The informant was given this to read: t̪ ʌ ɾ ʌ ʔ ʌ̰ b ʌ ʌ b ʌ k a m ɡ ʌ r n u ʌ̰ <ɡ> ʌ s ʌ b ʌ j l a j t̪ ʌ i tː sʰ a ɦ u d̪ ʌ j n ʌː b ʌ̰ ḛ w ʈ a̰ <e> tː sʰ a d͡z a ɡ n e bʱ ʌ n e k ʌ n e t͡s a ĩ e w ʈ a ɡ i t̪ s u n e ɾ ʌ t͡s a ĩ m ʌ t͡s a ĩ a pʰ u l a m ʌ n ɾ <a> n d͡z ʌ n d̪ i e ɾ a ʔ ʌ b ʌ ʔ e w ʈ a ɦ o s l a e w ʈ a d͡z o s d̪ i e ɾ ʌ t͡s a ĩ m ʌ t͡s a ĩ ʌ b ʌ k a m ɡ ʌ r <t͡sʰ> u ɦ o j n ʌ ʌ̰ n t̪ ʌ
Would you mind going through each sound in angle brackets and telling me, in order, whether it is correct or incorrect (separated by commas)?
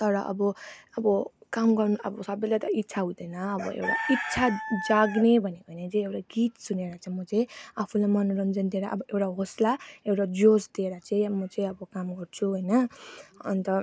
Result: incorrect, incorrect, incorrect, correct